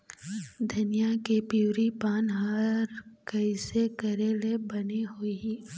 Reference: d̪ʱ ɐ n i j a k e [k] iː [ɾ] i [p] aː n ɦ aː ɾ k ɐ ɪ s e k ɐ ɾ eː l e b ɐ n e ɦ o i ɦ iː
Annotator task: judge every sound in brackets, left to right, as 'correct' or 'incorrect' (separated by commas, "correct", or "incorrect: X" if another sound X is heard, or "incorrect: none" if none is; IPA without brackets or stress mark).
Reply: incorrect: p, correct, correct